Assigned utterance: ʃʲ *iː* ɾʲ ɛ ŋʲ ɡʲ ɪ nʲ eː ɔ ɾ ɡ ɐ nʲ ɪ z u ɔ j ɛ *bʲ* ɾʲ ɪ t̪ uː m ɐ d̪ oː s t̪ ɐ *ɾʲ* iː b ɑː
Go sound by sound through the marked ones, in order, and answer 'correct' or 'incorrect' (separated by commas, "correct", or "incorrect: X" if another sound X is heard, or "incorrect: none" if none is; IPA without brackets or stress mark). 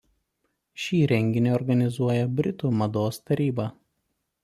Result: correct, correct, correct